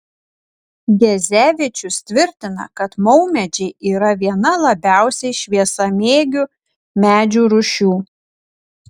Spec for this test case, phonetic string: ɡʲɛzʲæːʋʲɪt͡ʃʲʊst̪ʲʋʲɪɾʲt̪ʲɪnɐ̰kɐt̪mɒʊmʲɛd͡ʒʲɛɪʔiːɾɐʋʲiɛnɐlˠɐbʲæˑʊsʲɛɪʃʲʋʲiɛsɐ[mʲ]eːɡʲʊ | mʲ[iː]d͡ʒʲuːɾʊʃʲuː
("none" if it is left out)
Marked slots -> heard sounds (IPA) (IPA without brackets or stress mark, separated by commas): mʲ, æː